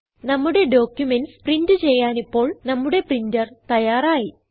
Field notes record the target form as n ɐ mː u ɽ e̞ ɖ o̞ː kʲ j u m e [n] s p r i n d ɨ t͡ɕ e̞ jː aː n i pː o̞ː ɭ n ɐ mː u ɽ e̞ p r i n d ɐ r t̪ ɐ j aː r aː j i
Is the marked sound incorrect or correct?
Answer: correct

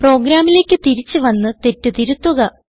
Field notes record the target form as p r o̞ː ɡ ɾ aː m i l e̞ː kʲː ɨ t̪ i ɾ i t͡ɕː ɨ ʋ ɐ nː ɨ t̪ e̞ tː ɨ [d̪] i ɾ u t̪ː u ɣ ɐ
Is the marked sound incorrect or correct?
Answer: incorrect: t̪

